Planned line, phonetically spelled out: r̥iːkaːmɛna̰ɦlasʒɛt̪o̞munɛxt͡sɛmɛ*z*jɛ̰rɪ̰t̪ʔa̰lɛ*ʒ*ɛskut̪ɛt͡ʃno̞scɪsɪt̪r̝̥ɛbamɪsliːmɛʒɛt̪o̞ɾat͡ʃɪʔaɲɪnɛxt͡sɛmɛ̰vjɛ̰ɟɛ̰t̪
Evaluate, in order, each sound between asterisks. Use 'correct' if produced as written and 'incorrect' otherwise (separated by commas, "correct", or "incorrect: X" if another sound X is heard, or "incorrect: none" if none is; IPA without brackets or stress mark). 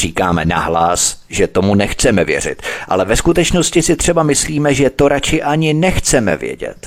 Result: incorrect: v, incorrect: v